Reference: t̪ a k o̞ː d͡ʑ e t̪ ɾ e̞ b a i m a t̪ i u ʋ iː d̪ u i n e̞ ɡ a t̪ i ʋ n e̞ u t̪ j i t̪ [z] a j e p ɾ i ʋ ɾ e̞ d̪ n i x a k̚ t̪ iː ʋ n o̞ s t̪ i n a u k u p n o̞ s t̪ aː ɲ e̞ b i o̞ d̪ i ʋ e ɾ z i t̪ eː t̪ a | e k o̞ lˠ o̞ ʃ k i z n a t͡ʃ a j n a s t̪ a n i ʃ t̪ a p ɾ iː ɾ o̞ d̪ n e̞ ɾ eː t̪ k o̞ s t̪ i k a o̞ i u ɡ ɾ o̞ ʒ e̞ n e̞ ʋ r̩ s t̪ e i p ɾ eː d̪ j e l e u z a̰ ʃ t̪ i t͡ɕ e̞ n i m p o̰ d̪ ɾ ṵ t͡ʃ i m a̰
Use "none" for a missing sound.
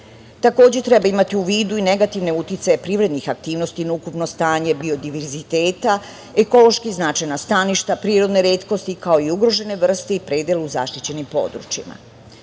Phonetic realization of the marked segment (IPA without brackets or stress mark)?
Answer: s